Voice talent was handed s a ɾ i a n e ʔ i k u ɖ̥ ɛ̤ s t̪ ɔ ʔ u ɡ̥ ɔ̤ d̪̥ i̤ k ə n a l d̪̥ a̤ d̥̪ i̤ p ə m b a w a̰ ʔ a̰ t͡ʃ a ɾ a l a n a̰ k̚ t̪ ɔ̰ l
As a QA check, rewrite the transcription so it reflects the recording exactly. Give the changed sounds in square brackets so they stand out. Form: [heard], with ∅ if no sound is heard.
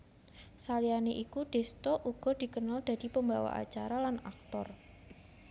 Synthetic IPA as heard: s a [l] i a n e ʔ i k u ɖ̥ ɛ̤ s t̪ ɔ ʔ u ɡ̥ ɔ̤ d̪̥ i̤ k ə n a l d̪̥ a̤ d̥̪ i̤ p ə m b a w a̰ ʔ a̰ t͡ʃ a ɾ a l a n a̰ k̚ t̪ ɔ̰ [r]